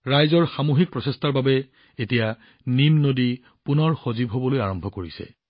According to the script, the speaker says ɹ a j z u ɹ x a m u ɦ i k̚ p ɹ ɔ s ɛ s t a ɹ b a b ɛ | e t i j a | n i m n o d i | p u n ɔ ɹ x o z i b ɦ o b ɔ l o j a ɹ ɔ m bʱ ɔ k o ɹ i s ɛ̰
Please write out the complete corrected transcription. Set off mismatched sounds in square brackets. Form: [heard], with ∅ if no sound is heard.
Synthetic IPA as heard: ɹ a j z [ɔ] ɹ x a m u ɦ i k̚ p ɹ ɔ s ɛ s t a ɹ b a b ɛ | e t i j a | n i m n o d i | p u n ɔ ɹ x o z i b ɦ o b ɔ l o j a ɹ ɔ m bʱ ɔ k o ɹ i s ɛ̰